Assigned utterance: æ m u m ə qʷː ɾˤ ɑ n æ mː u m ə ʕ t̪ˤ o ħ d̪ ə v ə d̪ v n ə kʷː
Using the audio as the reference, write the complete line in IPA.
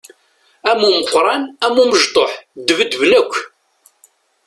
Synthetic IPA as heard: æ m u m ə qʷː ɾˤ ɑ n æ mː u m ə ʒ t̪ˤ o ħ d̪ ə v ə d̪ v n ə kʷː